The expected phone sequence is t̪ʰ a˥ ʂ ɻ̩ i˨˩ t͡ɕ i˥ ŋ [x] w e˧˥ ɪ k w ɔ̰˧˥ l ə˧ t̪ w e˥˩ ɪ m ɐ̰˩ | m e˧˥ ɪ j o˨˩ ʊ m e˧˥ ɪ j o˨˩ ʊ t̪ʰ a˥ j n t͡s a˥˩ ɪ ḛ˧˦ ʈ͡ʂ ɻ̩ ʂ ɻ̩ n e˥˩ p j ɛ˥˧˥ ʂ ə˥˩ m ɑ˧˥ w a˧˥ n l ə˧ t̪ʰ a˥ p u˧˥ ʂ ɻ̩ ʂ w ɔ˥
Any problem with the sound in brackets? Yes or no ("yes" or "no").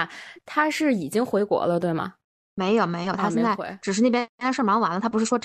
no